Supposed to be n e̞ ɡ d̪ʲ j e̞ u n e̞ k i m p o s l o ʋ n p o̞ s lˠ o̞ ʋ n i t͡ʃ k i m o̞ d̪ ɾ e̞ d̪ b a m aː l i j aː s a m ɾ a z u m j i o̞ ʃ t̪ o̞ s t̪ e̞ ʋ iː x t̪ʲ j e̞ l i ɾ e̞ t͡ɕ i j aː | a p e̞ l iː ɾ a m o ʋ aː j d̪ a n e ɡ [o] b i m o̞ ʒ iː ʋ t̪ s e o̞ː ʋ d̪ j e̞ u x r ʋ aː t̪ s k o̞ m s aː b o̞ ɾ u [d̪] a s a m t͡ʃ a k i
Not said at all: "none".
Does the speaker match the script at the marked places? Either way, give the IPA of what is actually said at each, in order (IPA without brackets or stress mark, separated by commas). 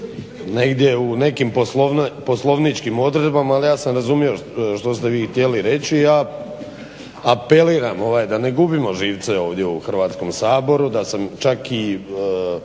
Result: u, d̪